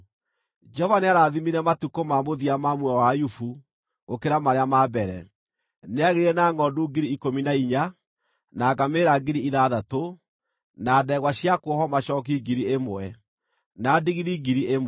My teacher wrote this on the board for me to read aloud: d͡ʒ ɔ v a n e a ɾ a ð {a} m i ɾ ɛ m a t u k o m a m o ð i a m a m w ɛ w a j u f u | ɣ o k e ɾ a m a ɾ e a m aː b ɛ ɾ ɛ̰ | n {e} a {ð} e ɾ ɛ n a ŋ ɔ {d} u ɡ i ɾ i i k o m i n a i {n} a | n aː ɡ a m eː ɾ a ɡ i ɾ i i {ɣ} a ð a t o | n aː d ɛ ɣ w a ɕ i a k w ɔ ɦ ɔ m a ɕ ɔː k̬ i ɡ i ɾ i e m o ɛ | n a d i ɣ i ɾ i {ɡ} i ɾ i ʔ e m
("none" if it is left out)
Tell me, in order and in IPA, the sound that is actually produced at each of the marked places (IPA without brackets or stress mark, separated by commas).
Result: i, e, ɣ, d, ɲ, ð, ɡ